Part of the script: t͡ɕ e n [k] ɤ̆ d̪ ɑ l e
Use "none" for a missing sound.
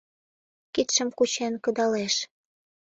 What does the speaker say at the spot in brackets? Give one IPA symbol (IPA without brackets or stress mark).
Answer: k